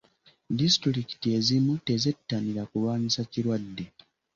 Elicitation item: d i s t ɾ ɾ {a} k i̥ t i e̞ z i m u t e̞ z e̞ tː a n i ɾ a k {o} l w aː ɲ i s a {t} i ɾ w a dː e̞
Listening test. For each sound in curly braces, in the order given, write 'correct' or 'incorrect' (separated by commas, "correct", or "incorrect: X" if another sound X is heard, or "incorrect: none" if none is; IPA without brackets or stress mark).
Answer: incorrect: i, incorrect: u, incorrect: c